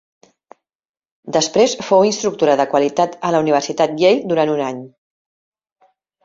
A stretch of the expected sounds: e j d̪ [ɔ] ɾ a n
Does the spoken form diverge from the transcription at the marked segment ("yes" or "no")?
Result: yes